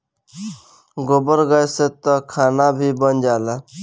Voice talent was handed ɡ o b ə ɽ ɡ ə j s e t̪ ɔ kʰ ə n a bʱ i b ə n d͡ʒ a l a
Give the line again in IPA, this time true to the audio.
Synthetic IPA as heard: ɡ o b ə ɾ ɡ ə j s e t̪ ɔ kʰ a n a bʱ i b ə n d͡ʒ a l a